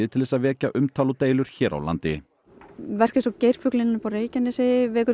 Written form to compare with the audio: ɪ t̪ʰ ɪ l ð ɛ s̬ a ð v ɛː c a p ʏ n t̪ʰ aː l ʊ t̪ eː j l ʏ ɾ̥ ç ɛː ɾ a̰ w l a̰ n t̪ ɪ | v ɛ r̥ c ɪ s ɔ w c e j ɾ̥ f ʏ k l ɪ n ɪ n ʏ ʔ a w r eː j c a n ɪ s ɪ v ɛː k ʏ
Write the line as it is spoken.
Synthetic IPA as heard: ɪ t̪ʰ ɪ l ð ɛ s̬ a ð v ɛː c a ʔ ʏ m t̪ʰ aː l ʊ t̪ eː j l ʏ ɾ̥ ç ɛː ɾ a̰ w l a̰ n t̪ ɪ | v ɛ r̥ c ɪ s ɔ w c e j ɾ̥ f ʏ k l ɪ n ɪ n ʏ p a w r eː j c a n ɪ s ɪ v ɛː k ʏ